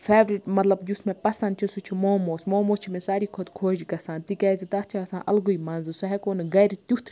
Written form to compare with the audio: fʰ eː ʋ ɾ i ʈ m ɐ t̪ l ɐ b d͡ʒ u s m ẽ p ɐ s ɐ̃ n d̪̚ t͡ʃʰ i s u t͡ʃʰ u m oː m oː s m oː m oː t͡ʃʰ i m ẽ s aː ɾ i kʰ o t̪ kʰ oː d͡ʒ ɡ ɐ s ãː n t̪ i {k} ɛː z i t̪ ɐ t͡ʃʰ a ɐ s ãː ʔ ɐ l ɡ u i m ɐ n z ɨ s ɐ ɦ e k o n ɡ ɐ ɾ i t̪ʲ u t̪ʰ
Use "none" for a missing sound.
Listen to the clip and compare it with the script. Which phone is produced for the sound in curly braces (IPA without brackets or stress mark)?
k